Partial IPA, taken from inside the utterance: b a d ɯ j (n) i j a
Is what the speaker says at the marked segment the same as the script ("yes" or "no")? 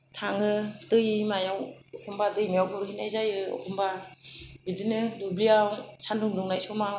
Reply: no